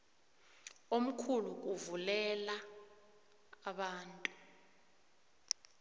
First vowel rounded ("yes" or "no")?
yes